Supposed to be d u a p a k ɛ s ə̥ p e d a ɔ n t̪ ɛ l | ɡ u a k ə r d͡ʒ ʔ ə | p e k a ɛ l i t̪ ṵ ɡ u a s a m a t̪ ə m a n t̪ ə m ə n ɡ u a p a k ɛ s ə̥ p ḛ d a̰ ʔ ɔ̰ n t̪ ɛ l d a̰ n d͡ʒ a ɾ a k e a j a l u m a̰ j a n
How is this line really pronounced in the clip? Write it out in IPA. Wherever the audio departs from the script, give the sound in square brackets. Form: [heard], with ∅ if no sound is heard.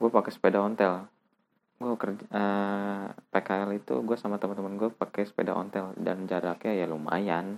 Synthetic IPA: [ɡ] u a p a k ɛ s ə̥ p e d a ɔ n t̪ ɛ l | ɡ u a k ə r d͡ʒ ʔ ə | p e k a ɛ l i t̪ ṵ ɡ u a s a m a t̪ ə m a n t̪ ə m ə n ɡ u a p a k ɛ s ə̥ p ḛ d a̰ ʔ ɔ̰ n t̪ ɛ l d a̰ n d͡ʒ a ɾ a k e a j a l u m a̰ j a n